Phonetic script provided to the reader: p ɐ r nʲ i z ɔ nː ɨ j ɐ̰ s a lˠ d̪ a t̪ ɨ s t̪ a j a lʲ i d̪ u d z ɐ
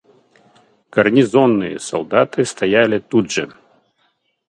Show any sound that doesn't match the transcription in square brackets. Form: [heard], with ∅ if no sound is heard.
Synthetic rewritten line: [k] ɐ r nʲ i z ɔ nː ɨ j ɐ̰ s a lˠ d̪ a t̪ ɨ s t̪ a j a lʲ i [t̪] u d [ʐ] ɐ